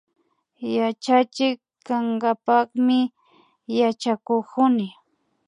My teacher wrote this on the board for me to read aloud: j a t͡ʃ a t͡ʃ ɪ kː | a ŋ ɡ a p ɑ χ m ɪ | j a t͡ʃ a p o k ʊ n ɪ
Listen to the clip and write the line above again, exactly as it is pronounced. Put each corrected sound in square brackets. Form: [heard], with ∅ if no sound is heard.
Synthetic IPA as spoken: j a t͡ʃ a t͡ʃ ɪ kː | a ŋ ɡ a p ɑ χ m ɪ | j a t͡ʃ a [k] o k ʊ n ɪ